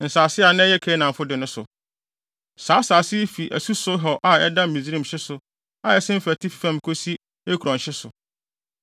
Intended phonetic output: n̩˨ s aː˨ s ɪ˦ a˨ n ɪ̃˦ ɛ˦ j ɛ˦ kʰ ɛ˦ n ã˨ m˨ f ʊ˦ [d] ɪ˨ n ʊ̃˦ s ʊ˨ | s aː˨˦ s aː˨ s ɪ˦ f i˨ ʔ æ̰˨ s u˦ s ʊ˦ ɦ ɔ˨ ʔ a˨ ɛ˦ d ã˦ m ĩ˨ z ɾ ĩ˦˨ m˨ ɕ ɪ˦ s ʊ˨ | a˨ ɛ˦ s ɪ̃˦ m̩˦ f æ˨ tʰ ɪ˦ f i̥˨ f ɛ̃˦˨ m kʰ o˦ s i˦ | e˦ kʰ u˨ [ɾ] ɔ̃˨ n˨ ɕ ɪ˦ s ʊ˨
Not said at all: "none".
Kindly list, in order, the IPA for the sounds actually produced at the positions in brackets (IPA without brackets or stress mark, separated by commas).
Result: d, ɾ